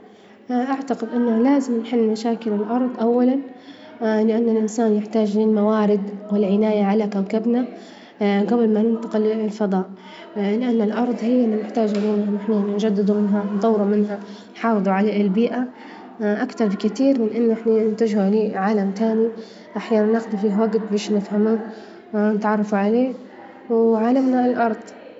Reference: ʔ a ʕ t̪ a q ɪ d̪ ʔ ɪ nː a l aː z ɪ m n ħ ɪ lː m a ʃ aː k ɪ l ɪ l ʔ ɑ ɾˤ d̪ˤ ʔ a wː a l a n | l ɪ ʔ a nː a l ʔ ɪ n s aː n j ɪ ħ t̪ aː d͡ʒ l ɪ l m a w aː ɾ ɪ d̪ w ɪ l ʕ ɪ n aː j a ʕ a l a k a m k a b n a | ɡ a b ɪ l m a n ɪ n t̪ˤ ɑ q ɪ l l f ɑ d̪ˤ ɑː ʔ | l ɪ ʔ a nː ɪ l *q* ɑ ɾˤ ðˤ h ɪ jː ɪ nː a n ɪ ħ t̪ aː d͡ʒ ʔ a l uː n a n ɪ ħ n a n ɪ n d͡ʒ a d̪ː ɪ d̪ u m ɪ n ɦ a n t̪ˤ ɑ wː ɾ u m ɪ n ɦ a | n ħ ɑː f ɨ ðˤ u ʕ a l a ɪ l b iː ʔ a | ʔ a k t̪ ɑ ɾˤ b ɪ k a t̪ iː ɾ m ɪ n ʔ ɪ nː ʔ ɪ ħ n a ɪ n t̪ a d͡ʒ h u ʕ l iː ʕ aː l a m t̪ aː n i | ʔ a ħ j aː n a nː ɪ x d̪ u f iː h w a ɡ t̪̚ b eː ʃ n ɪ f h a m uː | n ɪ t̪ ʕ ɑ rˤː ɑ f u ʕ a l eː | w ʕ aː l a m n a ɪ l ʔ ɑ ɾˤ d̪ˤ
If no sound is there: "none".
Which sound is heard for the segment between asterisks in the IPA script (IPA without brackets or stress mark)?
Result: ʔ